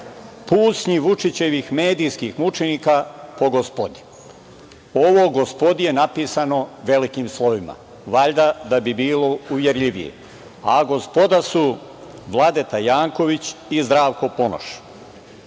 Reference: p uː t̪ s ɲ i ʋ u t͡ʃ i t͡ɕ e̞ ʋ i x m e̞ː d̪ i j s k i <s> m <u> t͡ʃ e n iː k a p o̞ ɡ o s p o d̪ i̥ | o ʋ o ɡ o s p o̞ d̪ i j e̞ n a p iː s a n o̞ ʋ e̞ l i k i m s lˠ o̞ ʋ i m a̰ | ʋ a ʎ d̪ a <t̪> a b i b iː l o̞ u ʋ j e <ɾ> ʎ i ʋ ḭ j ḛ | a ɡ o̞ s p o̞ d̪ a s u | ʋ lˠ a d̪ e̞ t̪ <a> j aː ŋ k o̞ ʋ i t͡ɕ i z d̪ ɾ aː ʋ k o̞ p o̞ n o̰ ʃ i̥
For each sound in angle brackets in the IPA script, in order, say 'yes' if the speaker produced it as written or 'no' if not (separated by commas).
no, yes, no, yes, yes